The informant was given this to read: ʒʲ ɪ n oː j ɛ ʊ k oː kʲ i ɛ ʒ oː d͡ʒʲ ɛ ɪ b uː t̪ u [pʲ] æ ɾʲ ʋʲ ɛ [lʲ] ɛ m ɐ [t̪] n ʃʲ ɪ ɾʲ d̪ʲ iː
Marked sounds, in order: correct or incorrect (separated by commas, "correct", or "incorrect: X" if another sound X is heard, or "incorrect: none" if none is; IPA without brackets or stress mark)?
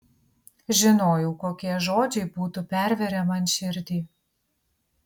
correct, incorrect: ɾʲ, incorrect: none